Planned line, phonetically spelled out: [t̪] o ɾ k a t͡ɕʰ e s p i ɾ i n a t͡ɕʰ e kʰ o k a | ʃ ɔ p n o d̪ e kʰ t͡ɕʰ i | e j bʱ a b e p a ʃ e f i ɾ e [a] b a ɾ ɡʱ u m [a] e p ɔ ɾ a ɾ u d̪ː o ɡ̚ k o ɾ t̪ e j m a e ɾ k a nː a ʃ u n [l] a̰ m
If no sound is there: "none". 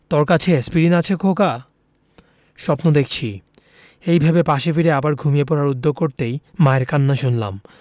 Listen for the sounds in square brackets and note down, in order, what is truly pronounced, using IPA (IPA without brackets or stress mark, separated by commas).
t̪, a, i, l